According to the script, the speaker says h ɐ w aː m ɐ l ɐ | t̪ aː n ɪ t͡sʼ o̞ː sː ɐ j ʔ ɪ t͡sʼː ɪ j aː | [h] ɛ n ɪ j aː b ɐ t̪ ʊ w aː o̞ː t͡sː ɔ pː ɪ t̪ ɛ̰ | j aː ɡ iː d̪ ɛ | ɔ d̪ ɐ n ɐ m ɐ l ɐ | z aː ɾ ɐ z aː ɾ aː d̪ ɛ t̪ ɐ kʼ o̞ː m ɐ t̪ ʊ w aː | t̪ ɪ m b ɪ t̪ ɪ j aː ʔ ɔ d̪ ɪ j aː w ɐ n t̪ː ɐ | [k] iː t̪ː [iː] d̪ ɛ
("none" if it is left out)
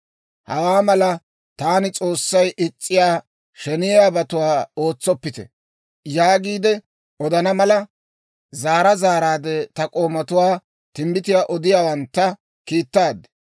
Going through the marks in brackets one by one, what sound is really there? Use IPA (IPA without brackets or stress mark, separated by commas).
ʃ, k, aː